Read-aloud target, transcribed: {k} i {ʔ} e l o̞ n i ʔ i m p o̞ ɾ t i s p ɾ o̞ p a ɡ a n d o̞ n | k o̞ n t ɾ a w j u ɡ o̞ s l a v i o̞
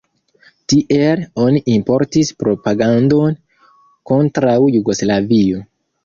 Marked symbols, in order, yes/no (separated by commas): no, yes